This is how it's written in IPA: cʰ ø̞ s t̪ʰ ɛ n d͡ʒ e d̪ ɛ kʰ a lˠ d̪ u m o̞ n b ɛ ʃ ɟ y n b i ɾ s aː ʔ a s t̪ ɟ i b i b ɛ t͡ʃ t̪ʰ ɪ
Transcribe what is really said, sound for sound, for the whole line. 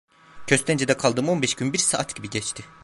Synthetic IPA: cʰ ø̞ s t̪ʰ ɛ n d͡ʒ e d̪ ɛ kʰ a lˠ d̪ ɯ m o̞ n b ɛ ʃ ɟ y n b i ɾ s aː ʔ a t̪ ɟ i b i ɟ ɛ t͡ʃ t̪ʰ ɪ